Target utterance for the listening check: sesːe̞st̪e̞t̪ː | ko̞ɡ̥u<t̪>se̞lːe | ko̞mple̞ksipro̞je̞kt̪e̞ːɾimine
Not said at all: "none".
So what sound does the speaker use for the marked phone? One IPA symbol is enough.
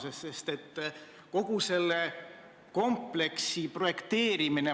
none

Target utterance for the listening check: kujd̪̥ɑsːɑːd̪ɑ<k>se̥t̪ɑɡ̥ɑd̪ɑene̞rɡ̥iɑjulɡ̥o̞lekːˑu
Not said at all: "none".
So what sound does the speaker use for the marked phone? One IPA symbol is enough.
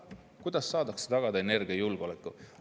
k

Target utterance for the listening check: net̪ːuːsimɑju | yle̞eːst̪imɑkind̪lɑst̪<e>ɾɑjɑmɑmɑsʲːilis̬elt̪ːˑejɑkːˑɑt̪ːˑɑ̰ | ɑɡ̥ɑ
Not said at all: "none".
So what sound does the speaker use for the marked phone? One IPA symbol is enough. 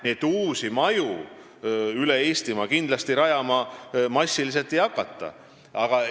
i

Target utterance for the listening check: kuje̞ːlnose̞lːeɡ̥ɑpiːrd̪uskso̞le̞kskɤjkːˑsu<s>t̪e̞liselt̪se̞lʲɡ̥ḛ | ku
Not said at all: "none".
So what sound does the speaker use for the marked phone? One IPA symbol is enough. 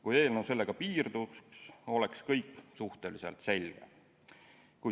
h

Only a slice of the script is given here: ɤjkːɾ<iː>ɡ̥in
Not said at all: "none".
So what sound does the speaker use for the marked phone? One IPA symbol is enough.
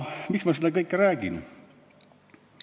æː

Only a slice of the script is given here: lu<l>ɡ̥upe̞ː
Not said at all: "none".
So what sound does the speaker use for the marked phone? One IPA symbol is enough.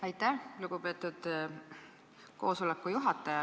none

